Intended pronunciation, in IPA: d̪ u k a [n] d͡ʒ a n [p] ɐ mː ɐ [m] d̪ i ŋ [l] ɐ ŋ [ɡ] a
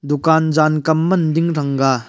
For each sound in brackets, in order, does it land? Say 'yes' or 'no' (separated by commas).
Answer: yes, no, no, no, yes